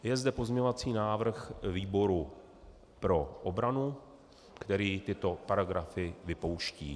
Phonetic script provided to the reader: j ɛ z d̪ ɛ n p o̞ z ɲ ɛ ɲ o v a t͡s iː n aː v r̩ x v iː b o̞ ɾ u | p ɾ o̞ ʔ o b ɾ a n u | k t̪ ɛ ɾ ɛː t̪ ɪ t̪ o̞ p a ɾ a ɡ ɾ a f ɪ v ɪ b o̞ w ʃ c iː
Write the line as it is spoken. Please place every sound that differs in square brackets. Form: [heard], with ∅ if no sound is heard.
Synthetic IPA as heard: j ɛ z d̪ ɛ [∅] p o̞ z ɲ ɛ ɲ o v a t͡s iː n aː v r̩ x v iː b o̞ ɾ u | p ɾ o̞ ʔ o b ɾ a n u | k t̪ ɛ ɾ [iː] t̪ ɪ t̪ o̞ p a ɾ a ɡ ɾ a f ɪ v ɪ [p] o̞ w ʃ c iː